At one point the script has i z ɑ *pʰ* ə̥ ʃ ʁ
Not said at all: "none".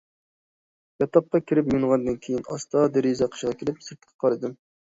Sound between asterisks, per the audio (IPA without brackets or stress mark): qʰ